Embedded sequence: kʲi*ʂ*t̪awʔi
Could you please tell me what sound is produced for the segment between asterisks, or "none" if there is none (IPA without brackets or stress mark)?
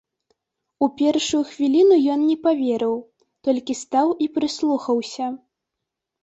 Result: s